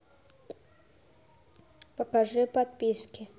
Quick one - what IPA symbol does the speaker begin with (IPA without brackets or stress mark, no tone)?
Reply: p